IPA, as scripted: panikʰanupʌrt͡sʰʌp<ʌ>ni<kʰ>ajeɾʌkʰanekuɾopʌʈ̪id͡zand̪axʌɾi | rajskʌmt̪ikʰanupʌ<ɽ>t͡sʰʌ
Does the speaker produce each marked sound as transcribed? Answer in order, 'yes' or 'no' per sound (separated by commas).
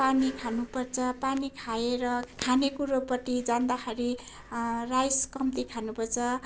no, yes, no